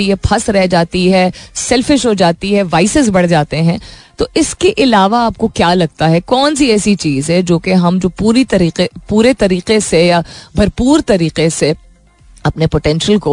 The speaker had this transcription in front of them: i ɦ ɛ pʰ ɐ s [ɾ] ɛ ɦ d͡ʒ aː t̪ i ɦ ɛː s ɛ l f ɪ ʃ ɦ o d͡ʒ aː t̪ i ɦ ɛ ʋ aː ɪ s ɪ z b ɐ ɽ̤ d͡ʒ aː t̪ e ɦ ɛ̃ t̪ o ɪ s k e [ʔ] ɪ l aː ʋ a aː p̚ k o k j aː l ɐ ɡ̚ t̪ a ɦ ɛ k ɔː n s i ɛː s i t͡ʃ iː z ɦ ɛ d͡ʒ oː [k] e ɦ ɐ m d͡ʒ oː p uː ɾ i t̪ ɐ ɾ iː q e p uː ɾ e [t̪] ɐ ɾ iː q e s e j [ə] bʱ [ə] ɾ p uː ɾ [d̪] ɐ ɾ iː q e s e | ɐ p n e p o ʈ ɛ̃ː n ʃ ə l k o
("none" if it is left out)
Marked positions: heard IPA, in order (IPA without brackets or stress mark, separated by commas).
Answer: ɾ, ʔ, k, t̪, a, ɐ, t̪